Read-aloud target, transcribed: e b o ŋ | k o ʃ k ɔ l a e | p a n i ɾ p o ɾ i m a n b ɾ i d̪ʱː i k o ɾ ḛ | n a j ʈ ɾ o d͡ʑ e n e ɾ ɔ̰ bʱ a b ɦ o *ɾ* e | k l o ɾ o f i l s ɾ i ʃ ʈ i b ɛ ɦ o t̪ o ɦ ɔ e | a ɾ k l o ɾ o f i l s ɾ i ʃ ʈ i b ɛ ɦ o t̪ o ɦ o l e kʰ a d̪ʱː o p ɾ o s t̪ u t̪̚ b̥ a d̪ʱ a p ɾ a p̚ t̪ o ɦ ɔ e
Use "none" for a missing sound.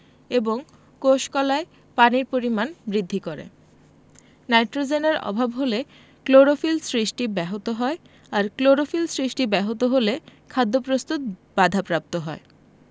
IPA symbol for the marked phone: l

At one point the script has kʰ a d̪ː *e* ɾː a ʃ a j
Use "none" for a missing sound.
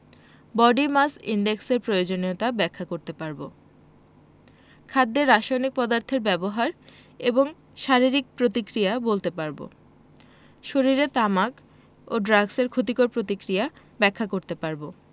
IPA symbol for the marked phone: e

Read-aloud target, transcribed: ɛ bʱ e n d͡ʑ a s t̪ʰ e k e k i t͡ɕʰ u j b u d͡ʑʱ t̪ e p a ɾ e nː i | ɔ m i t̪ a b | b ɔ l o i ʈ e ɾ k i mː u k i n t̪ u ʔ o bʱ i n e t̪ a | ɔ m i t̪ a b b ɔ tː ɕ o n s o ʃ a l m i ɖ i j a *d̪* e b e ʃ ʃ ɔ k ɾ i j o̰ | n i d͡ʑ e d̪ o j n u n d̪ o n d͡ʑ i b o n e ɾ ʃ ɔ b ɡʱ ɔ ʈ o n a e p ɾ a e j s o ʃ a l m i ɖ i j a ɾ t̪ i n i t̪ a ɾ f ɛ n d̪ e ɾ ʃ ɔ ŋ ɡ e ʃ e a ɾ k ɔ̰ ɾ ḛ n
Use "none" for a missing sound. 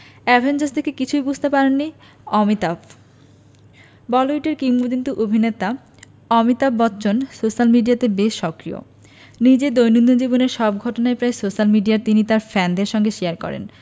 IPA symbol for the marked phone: t̪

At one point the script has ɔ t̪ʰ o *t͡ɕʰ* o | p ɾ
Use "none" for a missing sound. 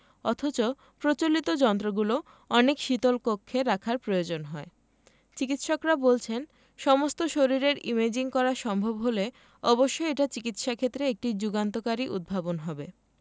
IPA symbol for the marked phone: t͡ɕ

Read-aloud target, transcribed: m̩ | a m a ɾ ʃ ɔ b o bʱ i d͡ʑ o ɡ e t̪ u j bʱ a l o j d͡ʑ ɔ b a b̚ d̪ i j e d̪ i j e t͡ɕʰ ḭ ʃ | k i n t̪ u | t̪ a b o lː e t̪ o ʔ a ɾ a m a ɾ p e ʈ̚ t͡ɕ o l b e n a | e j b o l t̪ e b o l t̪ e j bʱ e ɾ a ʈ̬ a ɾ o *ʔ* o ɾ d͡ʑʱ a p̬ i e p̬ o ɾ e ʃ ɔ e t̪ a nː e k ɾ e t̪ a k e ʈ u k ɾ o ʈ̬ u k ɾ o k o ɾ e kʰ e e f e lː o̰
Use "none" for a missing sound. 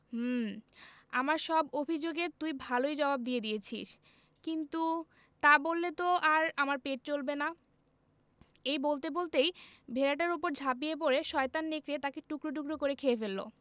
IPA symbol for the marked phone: p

